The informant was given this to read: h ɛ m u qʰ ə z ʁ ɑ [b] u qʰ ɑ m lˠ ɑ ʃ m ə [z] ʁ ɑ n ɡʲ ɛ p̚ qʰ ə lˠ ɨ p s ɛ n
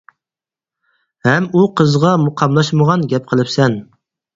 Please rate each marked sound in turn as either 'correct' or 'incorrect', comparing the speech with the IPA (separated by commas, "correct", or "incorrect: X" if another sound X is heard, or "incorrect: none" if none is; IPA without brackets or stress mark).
incorrect: m, incorrect: none